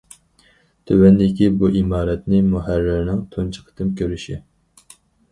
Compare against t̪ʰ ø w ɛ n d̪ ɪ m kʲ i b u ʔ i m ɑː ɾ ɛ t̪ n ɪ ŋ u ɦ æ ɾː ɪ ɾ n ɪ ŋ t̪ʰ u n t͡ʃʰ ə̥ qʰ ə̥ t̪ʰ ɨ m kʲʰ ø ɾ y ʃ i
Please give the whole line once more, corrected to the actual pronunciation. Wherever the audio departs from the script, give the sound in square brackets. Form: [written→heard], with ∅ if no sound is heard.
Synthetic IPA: t̪ʰ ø w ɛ n d̪ ɪ [m→∅] kʲ i b u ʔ i m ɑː ɾ ɛ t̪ n ɪ [ŋ→m] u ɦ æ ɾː ɪ ɾ n ɪ ŋ t̪ʰ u n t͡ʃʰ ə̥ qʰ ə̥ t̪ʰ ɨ m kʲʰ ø ɾ y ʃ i